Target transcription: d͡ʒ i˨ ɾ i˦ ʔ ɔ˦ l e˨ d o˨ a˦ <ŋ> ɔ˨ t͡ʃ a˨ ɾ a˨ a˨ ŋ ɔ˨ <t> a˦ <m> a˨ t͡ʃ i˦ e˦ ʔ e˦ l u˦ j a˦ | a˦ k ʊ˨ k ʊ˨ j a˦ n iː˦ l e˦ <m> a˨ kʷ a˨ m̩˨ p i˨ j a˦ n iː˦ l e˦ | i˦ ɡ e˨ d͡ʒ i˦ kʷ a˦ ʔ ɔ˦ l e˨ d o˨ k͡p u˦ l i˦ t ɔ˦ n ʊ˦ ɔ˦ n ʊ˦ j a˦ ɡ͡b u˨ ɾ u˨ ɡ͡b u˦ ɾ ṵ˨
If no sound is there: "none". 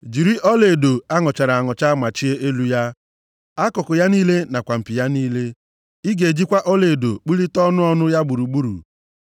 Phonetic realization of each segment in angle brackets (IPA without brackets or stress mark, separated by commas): ŋ, t͡ʃ, m, n